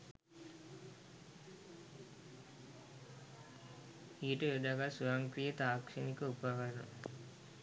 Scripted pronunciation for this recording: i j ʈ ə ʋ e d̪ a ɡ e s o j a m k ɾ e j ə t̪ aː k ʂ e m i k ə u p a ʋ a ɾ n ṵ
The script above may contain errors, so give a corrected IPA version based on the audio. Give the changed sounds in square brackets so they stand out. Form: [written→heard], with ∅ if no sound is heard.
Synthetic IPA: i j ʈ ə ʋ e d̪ a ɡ [e→a] s [o→u] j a [m→ŋ] k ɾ [e→i] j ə t̪ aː k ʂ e [m→n] i k ə u p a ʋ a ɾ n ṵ